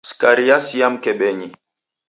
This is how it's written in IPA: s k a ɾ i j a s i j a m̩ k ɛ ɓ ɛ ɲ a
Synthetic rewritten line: s k a ɾ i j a s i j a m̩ k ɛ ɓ ɛ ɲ i